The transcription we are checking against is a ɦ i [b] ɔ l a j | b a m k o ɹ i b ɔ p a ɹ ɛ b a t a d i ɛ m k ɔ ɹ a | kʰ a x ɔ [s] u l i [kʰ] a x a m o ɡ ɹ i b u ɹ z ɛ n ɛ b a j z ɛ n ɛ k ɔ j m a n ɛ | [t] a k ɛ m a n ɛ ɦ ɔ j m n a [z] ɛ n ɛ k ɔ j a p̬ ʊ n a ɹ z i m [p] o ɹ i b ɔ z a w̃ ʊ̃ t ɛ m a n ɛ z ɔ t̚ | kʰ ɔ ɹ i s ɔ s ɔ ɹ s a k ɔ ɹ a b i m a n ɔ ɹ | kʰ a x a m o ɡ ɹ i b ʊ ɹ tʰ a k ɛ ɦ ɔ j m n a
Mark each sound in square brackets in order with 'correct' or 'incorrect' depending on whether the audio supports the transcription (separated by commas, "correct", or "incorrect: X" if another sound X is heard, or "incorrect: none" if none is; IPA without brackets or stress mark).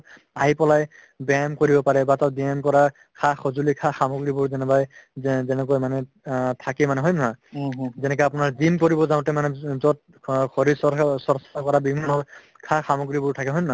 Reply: incorrect: p, incorrect: z, correct, incorrect: tʰ, correct, incorrect: k